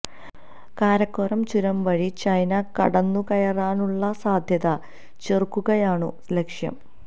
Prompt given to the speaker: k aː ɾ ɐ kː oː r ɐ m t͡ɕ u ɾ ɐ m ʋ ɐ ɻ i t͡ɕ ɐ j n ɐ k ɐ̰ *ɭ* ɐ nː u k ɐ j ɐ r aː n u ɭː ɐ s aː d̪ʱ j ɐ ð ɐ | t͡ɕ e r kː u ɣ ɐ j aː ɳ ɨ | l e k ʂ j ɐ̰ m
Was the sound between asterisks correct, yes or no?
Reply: no